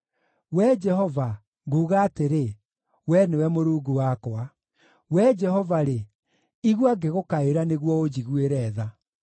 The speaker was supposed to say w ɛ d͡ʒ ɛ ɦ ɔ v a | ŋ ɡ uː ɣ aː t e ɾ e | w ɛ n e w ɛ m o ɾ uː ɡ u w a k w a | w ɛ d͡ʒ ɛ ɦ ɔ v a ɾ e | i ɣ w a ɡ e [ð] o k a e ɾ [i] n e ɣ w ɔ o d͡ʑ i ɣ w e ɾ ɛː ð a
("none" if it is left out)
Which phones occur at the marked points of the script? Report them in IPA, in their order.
ɣ, a

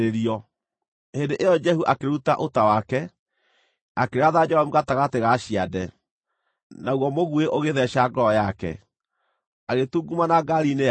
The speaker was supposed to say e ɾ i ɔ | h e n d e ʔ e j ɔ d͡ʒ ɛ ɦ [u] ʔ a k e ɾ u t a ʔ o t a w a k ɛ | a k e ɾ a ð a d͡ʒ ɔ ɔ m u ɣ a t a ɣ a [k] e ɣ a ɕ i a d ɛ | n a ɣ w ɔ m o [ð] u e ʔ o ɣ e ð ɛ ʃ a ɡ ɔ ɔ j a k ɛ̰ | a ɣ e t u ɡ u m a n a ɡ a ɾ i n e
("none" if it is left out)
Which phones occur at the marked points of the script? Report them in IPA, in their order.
u, t, ɣ

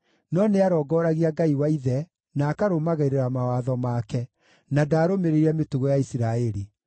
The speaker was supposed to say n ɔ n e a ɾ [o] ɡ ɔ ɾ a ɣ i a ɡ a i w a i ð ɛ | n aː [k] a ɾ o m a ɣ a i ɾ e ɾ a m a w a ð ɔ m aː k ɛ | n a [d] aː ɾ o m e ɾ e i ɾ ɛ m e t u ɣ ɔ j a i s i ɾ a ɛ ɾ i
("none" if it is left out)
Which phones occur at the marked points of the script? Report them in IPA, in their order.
ɔ, k, d

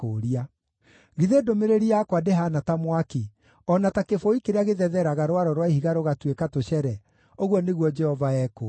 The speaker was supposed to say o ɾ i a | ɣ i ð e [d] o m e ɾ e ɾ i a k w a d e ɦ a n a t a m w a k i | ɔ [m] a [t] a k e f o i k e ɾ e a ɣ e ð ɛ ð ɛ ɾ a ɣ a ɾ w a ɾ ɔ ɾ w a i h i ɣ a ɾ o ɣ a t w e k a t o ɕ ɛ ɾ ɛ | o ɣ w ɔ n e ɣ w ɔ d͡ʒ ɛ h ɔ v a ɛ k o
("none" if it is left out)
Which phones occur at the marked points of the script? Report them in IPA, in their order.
d, n, t

